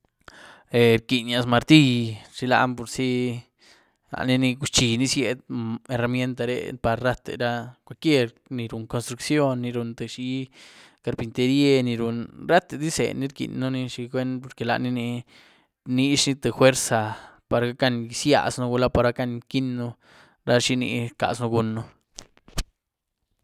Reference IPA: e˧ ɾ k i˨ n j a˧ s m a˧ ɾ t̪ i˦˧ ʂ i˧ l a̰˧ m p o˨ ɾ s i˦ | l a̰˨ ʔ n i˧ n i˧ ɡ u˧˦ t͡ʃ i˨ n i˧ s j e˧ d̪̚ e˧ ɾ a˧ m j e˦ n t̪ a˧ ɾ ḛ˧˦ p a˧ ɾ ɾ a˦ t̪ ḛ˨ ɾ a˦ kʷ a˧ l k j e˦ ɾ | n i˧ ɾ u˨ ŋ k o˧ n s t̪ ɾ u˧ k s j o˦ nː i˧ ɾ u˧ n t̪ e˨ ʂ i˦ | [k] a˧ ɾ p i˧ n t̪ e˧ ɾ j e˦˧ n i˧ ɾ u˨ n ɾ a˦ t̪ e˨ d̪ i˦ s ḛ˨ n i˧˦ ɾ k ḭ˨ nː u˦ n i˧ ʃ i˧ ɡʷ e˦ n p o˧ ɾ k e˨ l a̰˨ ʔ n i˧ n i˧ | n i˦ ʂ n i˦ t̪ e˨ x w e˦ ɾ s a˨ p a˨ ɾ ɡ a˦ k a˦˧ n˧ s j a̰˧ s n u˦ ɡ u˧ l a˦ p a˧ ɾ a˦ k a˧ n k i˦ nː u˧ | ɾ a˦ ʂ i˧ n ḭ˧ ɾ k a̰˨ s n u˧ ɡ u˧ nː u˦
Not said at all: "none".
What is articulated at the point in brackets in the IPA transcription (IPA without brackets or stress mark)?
k